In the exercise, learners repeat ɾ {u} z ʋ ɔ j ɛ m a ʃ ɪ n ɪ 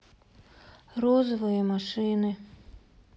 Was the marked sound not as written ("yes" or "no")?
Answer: yes